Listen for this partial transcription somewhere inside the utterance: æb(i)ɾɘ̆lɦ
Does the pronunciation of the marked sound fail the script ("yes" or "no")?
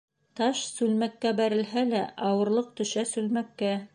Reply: yes